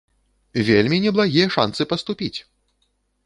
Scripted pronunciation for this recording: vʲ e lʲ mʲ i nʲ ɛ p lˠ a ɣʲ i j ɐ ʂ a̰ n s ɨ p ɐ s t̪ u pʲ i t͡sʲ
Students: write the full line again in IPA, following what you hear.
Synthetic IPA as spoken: vʲ e lʲ mʲ i nʲ ɛ b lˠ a ɣʲ i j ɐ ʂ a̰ n s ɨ p ɐ s t̪ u pʲ i t͡sʲ